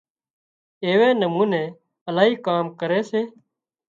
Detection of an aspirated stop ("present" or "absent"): absent